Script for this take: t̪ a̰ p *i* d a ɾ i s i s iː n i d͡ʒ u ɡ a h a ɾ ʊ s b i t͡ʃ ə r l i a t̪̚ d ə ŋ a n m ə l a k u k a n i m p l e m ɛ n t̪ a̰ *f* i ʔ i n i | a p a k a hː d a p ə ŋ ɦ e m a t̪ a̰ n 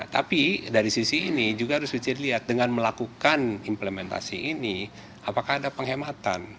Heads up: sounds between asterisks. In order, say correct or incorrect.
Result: correct, incorrect: s

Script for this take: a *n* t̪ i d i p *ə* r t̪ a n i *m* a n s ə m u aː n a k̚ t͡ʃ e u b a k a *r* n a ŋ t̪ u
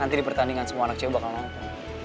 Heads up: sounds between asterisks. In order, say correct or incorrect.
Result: correct, correct, incorrect: ŋ, incorrect: l

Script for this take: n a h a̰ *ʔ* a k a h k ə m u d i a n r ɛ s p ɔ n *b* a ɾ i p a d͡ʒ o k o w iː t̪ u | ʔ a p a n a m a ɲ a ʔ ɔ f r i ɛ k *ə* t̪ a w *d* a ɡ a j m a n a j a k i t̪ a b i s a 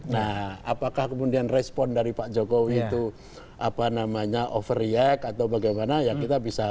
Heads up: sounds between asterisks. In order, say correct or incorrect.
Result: incorrect: p, incorrect: d, incorrect: a, incorrect: b

